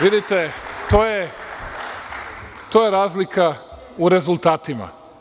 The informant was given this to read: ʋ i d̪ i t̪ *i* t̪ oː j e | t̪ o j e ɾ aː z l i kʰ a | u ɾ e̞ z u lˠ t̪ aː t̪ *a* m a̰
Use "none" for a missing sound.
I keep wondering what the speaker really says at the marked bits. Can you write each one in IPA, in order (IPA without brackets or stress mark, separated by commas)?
e, i